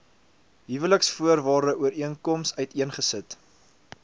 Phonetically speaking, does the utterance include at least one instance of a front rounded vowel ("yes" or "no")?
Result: yes